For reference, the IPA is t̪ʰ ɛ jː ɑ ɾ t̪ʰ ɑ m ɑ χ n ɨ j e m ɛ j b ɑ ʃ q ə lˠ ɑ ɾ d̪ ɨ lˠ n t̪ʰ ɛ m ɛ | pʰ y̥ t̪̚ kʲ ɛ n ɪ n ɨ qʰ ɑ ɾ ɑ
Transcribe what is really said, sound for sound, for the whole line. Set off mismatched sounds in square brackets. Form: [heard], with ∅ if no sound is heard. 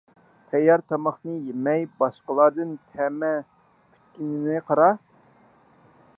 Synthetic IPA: t̪ʰ ɛ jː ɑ ɾ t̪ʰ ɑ m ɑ χ n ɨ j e m ɛ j b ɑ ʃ q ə lˠ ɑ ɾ d̪ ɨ [∅] n t̪ʰ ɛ m ɛ | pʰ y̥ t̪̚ kʲ [i] n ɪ n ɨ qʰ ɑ ɾ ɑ